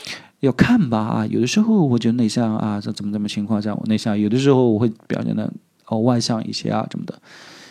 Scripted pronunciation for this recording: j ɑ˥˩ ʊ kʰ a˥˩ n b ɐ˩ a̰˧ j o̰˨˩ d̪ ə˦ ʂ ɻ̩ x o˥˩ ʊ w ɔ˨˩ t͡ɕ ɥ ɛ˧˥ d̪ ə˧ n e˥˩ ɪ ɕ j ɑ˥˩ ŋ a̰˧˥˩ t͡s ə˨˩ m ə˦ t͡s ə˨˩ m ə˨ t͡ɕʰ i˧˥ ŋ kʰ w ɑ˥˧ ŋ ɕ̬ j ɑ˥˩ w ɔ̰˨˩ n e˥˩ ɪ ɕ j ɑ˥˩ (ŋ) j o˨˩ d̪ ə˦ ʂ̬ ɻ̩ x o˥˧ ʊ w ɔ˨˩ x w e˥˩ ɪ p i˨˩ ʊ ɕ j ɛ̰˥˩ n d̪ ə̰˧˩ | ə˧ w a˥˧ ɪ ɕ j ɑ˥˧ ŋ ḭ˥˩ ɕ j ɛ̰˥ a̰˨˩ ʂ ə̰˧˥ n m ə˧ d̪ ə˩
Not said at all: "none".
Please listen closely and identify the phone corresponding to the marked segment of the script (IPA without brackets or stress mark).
ŋ